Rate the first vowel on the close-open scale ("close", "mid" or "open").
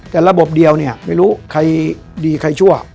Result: mid